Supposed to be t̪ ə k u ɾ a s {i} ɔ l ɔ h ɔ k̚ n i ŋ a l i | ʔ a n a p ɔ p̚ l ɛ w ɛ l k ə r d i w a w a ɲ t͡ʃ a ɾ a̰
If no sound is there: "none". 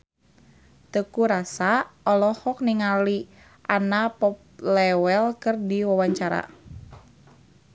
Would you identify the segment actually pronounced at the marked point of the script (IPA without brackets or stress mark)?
a